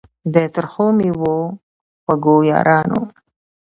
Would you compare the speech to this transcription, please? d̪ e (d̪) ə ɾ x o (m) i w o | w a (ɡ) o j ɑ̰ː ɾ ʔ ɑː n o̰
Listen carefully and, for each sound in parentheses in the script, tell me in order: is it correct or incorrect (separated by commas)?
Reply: incorrect, correct, correct